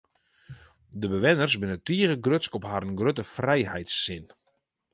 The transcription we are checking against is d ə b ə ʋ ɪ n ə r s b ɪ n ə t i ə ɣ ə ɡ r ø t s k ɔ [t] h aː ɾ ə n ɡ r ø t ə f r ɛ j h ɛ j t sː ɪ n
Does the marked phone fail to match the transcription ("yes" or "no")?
yes